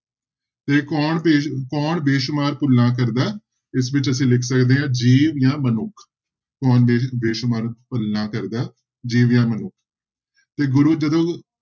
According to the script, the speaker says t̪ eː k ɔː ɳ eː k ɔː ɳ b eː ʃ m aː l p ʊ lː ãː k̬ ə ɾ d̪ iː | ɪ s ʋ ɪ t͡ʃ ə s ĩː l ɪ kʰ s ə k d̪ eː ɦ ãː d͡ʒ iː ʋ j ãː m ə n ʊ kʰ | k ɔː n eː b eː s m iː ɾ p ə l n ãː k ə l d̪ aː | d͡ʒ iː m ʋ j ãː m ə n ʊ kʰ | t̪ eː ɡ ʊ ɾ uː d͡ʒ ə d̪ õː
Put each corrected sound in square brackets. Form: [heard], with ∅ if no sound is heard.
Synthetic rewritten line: t̪ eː k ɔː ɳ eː k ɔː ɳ b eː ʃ m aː [ɾ] p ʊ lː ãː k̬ ə ɾ d̪ [aː] | ɪ s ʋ ɪ t͡ʃ ə s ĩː l ɪ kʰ s ə k d̪ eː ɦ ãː d͡ʒ iː ʋ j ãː m ə n ʊ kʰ | k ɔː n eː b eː [ʃ] m [aː] ɾ p ə l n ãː k ə [ɾ] d̪ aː | d͡ʒ iː [∅] ʋ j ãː m ə n ʊ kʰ | t̪ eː ɡ ʊ ɾ uː d͡ʒ ə d̪ õː

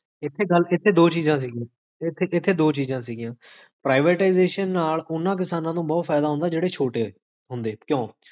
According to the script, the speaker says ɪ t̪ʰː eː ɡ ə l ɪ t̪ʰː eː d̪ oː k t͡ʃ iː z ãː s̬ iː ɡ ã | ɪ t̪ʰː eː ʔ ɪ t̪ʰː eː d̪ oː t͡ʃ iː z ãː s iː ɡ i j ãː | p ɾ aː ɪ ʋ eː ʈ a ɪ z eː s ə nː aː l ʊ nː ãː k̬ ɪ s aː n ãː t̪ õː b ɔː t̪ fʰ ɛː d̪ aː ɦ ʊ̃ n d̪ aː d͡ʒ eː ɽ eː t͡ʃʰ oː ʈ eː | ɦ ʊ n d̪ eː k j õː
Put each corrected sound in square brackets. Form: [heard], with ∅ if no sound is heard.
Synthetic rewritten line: ɪ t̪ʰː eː ɡ ə l ɪ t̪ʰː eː d̪ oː [∅] t͡ʃ iː z ãː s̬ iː ɡ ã | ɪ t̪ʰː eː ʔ ɪ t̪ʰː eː d̪ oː t͡ʃ iː z ãː s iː ɡ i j ãː | p ɾ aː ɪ ʋ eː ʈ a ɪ z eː [ʃ] ə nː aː l ʊ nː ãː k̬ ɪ s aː n ãː t̪ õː b ɔː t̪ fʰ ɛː d̪ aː ɦ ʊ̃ n d̪ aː d͡ʒ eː ɽ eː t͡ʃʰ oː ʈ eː | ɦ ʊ n d̪ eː k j õː

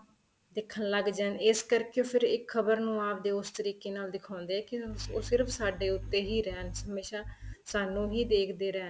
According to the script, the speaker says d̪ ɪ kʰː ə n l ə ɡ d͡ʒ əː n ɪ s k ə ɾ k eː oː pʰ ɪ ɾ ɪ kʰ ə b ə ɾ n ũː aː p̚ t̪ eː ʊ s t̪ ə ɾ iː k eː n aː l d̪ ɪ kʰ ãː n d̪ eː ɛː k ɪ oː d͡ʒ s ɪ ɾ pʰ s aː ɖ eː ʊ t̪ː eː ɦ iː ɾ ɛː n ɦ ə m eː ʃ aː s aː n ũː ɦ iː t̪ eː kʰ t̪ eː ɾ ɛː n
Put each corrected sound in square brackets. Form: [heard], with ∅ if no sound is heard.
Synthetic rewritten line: d̪ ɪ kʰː ə n l ə ɡ d͡ʒ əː n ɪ s k ə ɾ k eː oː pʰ ɪ ɾ ɪ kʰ ə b ə ɾ n ũː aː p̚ [d̪] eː ʊ s t̪ ə ɾ iː k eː n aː l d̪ ɪ kʰ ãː n d̪ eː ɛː k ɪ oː [∅] s ɪ ɾ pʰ s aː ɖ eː ʊ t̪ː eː ɦ iː ɾ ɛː n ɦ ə m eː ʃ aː s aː n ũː ɦ iː [d̪] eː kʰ [d̪] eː ɾ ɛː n

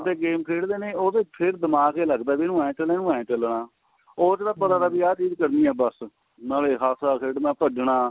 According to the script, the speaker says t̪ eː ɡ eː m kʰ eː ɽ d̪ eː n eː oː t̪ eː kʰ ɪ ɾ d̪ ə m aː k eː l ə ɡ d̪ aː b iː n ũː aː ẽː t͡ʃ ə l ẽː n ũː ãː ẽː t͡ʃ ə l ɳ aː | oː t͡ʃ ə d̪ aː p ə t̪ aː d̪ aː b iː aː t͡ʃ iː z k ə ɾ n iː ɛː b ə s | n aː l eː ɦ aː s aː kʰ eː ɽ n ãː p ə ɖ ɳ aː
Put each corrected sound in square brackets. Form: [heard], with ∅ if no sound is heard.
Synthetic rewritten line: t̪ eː ɡ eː m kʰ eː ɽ d̪ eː n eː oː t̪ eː [pʰ] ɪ ɾ d̪ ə m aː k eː l ə ɡ d̪ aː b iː n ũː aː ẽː t͡ʃ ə l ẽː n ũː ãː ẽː t͡ʃ ə l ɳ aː | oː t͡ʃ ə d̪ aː p ə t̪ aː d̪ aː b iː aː t͡ʃ iː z k ə ɾ n iː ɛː b ə s | n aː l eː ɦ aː s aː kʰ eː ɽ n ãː p ə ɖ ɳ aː

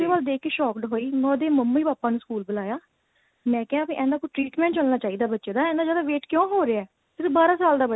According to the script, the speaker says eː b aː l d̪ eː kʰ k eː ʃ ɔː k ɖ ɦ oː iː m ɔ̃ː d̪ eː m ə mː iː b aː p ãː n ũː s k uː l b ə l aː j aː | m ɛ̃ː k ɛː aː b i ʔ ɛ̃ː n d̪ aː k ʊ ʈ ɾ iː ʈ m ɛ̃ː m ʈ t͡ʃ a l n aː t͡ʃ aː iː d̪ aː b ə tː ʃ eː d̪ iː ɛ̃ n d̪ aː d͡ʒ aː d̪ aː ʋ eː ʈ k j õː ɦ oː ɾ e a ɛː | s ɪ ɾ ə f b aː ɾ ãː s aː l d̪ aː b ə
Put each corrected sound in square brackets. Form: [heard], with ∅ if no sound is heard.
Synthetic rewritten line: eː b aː l d̪ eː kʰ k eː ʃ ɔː k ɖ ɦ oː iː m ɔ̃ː d̪ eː m ə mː iː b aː p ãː n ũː s k uː l b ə l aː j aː | m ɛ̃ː k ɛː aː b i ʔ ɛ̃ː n d̪ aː k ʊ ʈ ɾ iː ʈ m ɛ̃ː [ɳ] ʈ t͡ʃ [ə] l n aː t͡ʃ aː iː d̪ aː b ə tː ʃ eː d̪ [aː] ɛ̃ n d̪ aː d͡ʒ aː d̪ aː ʋ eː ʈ k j õː ɦ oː ɾ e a ɛː | s ɪ ɾ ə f b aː ɾ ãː s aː l d̪ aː b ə

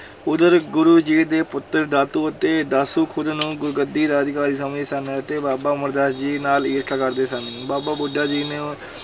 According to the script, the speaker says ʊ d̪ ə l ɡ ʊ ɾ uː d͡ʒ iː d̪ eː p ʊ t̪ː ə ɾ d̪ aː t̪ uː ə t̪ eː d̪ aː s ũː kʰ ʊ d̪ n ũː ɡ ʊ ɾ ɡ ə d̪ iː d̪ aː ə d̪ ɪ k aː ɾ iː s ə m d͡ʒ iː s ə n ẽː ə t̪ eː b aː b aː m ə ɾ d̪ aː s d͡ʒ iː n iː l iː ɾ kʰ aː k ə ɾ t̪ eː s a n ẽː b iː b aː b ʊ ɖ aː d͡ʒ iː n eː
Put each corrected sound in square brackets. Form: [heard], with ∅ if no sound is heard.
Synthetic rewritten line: ʊ d̪ ə [ɾ] ɡ ʊ ɾ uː d͡ʒ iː d̪ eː p ʊ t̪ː ə ɾ d̪ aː t̪ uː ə t̪ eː d̪ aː s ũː kʰ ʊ d̪ n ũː ɡ ʊ ɾ ɡ ə d̪ iː d̪ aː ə d̪ ɪ k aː ɾ iː s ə m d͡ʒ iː s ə n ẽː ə t̪ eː b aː b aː m ə ɾ d̪ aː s d͡ʒ iː n [aː] l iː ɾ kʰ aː k ə ɾ [d̪] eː s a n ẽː b [aː] b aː b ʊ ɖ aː d͡ʒ iː n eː

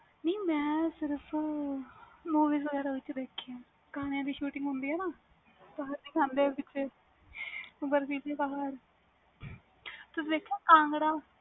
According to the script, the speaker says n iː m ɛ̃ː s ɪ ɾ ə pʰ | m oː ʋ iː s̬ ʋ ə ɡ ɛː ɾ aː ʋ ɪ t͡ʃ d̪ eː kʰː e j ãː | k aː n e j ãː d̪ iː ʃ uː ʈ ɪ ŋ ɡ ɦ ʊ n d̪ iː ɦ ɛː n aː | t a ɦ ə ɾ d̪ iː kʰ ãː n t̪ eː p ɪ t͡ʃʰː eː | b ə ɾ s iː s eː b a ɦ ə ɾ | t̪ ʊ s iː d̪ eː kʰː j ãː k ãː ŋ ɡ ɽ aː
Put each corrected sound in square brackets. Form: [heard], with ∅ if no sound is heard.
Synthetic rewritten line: n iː m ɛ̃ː s ɪ ɾ ə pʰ | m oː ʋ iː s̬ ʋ ə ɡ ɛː ɾ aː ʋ ɪ t͡ʃ d̪ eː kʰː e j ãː | k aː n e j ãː d̪ iː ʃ uː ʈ ɪ ŋ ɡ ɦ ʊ n d̪ iː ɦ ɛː n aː | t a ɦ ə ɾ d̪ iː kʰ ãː n [d̪] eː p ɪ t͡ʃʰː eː | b ə ɾ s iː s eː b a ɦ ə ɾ | t̪ ʊ s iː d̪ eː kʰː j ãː k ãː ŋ ɡ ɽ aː

